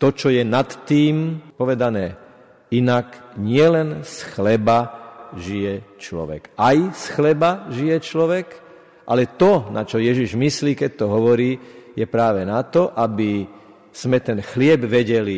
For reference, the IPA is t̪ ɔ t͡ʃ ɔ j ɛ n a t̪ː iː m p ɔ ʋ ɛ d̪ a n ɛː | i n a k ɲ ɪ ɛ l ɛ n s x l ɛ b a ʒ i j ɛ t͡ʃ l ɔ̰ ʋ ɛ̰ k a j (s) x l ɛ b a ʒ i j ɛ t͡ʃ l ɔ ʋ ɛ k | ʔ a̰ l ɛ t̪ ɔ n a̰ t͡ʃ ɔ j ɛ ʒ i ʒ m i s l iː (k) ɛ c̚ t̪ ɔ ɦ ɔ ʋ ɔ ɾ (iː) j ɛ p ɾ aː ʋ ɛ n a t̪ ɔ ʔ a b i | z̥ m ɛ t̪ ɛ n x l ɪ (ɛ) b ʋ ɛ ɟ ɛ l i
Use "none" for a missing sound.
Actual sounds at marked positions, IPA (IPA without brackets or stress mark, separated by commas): s, k, iː, ɛ